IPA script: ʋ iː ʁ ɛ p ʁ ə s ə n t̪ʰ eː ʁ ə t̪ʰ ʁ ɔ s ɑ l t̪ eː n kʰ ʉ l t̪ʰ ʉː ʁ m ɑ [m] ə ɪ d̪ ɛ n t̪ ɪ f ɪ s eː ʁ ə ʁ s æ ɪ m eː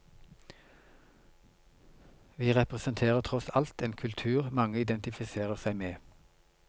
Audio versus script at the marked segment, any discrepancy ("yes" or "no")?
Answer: yes